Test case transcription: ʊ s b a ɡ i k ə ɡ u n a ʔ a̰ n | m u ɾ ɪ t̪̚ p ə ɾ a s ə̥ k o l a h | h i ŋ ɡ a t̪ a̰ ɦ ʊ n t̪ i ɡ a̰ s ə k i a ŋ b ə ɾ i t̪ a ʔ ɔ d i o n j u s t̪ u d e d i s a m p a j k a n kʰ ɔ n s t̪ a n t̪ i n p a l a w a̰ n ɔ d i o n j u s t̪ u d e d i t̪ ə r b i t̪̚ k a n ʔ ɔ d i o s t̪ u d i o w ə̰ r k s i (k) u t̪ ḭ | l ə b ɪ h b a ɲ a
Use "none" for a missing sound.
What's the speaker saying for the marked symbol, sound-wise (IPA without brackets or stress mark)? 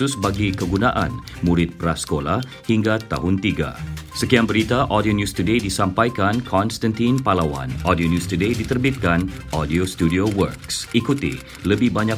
k